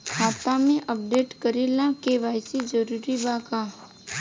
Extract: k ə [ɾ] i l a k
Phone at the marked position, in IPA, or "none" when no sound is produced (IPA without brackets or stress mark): ɾ